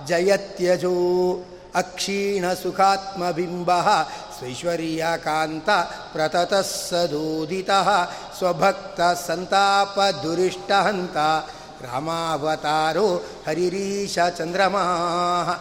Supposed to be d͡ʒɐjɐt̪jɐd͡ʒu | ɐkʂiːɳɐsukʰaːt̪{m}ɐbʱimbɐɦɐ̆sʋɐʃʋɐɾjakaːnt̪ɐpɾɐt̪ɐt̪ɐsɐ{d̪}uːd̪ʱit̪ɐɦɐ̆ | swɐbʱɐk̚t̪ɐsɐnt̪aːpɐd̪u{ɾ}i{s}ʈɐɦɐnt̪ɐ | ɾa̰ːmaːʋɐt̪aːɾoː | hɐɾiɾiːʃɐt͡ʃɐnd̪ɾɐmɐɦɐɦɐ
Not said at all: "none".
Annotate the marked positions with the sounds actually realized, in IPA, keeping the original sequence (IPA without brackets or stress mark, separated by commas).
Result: m, d̪, ɾ, ʂ